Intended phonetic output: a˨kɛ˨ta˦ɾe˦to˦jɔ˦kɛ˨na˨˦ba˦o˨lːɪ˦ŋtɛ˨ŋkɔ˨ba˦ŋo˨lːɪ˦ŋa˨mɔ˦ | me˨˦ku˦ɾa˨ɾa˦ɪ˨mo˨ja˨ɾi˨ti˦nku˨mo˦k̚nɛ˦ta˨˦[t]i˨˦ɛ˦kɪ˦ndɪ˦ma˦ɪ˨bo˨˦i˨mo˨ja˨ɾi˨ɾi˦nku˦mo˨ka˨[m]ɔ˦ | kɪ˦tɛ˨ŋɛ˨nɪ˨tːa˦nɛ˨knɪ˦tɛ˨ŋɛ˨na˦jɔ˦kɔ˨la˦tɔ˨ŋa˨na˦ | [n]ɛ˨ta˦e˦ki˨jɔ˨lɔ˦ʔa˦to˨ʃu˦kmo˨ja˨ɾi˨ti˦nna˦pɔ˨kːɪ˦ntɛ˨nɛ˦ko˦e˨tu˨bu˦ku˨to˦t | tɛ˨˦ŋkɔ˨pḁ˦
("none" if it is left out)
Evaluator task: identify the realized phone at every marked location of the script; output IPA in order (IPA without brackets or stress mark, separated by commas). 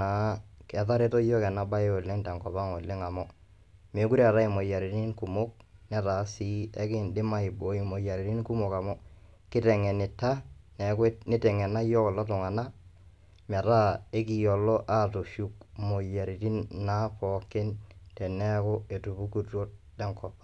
s, m, m